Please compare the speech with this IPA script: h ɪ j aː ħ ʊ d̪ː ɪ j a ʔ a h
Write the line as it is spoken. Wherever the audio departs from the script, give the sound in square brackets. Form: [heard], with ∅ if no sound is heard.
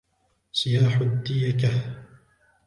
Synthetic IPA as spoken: [s] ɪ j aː ħ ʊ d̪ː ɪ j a [k] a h